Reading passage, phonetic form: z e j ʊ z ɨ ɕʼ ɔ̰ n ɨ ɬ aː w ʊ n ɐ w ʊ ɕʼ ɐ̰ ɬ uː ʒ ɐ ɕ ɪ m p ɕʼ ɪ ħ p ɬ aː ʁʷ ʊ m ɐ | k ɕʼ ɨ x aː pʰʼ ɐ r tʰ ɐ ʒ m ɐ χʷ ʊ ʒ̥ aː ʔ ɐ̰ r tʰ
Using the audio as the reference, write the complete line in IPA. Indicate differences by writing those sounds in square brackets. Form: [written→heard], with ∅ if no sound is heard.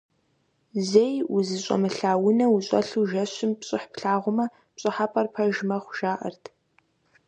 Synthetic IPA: z e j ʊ z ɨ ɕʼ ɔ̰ [n→m] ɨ ɬ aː w ʊ n ɐ w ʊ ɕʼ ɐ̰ ɬ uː ʒ ɐ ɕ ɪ m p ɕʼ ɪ ħ p ɬ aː ʁʷ ʊ m ɐ | [k→p] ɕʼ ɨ [x→ħ] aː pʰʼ ɐ r [tʰ→pʰ] ɐ ʒ m ɐ χʷ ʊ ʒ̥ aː ʔ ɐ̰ r tʰ